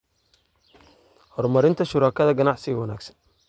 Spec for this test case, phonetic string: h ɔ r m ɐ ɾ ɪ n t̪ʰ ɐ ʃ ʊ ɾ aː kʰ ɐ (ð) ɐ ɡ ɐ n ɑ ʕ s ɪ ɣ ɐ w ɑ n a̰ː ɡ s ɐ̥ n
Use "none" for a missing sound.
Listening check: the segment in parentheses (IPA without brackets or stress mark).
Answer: ð